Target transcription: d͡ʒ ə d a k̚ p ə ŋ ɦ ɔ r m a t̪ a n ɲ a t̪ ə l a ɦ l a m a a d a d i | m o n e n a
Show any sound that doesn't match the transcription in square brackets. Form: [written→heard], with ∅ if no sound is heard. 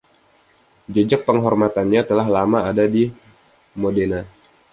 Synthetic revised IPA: d͡ʒ ə [d→d͡ʒ] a k̚ p ə ŋ ɦ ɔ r m a t̪ a n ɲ a t̪ ə l a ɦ l a m a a d a d i | m o [n→d] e n a